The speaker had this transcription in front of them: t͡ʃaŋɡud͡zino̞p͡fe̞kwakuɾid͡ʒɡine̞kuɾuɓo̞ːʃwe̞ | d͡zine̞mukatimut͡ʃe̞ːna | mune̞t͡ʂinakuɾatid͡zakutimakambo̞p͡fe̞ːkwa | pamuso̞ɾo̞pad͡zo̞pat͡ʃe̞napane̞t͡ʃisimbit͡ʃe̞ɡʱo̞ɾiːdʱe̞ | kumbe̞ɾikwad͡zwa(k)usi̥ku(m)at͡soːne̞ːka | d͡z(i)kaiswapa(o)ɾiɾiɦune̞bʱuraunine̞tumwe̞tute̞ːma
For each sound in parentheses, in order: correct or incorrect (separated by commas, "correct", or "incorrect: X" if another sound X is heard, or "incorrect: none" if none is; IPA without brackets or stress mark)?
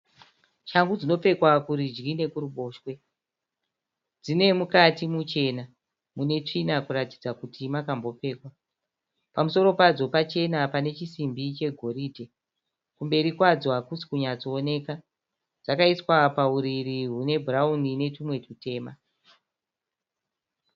correct, incorrect: ɲ, incorrect: a, incorrect: u